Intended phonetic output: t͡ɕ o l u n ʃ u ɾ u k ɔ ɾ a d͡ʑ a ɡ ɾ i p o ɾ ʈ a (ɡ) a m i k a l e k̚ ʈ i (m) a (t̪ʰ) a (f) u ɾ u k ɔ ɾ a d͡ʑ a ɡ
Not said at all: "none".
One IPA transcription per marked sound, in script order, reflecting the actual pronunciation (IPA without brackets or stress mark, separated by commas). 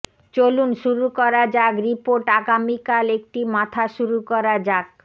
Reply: ɡ, m, t̪ʰ, ʃ